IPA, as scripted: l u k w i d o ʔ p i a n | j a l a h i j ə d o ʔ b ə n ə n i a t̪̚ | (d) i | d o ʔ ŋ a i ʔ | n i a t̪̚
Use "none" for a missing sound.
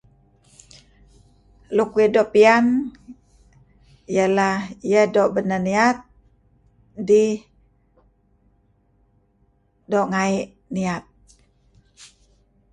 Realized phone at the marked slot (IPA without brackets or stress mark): d